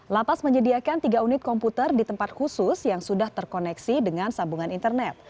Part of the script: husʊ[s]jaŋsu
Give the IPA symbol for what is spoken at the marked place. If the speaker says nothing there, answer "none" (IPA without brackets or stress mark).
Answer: s